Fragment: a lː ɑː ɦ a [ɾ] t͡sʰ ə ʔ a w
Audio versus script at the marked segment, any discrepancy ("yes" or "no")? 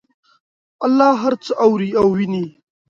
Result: no